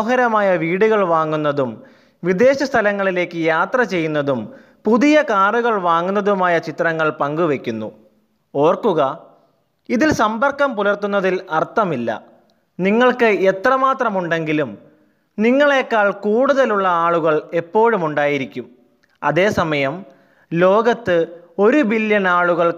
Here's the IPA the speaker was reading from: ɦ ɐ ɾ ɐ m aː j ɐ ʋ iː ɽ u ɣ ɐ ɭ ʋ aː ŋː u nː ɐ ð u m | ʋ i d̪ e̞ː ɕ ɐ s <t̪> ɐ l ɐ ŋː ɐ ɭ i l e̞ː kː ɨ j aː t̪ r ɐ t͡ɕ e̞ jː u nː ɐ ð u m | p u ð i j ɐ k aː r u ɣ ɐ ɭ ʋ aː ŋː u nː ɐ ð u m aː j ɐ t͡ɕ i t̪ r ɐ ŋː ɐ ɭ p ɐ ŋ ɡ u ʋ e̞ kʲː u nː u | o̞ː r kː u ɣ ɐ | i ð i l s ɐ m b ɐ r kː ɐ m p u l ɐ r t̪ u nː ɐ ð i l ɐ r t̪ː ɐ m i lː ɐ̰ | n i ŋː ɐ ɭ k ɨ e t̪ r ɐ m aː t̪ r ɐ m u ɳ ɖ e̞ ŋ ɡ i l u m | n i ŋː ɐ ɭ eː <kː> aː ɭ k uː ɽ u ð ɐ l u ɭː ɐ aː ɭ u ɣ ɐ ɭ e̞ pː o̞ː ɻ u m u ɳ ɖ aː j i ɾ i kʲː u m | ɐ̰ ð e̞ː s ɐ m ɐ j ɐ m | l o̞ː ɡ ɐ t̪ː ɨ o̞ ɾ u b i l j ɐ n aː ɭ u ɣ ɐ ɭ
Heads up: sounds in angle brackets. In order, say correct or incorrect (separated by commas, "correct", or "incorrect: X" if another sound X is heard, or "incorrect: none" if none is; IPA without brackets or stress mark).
incorrect: t̪ʰ, correct